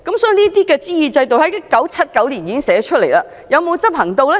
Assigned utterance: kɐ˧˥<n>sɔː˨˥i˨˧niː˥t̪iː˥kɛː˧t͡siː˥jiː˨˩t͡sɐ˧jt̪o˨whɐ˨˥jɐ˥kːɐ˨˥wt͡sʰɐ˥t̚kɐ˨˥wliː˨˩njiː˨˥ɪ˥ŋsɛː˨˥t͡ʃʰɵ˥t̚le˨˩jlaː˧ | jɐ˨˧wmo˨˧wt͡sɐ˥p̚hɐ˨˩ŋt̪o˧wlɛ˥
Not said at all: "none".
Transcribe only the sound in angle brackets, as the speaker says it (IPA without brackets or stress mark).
m